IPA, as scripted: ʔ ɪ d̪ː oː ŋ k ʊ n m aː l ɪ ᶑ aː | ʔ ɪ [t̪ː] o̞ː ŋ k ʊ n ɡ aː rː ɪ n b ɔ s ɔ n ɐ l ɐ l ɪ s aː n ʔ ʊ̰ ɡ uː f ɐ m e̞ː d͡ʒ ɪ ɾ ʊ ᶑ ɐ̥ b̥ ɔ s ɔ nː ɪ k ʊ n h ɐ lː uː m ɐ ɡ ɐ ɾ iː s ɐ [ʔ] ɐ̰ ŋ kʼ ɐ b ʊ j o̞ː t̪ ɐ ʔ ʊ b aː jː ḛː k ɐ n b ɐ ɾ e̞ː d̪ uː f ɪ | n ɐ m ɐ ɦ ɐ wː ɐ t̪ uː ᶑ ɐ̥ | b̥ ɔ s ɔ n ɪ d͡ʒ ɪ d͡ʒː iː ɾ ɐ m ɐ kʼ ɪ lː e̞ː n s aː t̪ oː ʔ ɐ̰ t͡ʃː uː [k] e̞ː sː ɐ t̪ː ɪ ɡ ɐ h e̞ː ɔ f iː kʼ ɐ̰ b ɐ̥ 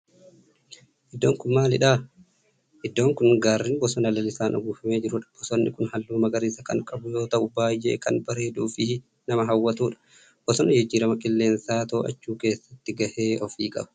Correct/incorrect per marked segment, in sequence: incorrect: d̪ː, incorrect: k, correct

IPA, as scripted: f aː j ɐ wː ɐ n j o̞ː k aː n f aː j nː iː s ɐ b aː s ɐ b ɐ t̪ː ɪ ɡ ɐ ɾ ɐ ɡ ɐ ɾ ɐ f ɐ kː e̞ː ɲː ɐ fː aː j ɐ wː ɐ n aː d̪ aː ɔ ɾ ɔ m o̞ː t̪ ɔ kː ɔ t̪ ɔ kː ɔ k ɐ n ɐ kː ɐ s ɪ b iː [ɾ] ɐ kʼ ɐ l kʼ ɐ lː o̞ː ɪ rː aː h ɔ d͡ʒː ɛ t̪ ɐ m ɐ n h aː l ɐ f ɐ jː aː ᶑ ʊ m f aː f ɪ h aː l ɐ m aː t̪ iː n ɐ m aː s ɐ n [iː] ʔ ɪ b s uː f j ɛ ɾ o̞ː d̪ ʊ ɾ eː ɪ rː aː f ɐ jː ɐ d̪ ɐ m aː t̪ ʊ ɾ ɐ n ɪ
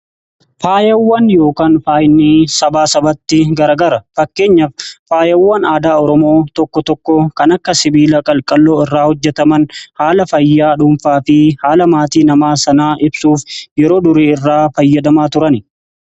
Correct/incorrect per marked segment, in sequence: incorrect: l, incorrect: aː

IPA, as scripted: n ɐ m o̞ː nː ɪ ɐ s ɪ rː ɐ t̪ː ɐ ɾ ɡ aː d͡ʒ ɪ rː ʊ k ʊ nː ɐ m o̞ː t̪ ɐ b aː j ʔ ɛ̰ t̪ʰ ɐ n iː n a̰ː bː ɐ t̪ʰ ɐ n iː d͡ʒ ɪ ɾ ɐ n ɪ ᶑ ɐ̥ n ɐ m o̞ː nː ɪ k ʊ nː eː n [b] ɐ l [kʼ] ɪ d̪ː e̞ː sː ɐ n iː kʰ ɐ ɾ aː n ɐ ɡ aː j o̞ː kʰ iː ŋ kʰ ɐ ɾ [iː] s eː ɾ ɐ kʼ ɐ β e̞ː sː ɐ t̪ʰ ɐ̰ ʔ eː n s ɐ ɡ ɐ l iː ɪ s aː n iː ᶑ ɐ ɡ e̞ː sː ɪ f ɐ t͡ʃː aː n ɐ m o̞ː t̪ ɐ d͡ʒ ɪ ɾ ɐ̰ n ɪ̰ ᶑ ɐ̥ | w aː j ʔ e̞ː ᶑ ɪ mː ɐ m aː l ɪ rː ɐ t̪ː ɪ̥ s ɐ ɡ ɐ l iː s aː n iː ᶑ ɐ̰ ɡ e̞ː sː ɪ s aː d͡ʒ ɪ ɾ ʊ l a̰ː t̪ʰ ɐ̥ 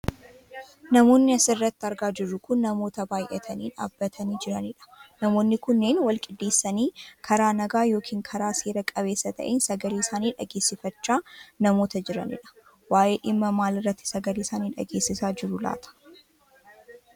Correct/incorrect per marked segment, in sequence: incorrect: w, correct, incorrect: aː

